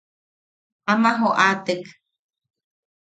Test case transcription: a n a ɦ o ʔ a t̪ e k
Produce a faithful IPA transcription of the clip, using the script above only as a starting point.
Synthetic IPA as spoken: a m a ɦ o ʔ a t̪ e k